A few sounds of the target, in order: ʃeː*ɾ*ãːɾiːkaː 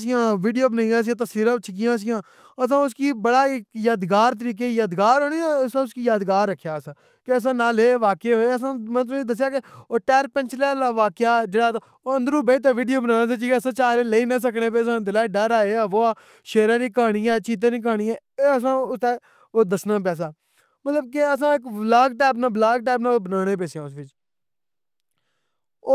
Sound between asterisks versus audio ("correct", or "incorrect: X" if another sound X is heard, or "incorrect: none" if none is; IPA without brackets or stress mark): correct